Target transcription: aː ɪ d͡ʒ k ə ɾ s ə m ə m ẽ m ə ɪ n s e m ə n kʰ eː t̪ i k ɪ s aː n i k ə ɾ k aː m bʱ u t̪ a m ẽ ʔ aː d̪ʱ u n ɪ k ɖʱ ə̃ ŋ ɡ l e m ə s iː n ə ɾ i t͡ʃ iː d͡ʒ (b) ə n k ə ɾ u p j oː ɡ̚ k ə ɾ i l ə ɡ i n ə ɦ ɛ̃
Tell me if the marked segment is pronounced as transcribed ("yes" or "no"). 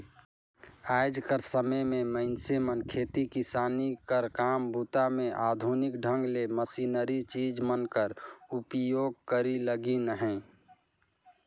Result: no